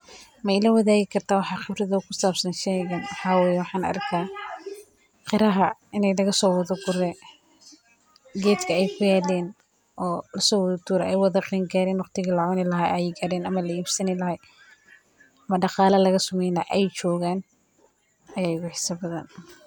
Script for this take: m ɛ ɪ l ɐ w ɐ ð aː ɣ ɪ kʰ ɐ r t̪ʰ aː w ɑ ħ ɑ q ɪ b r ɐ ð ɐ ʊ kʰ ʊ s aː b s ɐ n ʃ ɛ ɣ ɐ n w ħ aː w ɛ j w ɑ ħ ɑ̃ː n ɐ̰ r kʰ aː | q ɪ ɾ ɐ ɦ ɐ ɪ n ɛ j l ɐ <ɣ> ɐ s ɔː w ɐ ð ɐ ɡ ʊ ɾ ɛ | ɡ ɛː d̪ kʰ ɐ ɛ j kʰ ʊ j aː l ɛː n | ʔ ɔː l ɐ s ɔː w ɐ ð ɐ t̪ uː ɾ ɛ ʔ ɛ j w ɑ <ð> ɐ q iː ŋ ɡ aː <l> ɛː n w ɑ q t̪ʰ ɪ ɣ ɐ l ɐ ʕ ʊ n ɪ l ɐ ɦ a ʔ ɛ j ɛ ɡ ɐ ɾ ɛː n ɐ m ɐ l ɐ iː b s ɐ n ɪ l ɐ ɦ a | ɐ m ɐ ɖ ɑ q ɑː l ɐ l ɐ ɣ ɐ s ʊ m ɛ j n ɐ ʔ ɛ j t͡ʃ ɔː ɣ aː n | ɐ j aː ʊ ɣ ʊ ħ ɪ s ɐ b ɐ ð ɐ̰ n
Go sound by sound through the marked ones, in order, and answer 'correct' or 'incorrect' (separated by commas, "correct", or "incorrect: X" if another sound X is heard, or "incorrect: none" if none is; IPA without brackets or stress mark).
correct, correct, incorrect: ɾ